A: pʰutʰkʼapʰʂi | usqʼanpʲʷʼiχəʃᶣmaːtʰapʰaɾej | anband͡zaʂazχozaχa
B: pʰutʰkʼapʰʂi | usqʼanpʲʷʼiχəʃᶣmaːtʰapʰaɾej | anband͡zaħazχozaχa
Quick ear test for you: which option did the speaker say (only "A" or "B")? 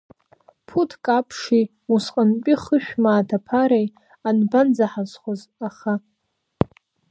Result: B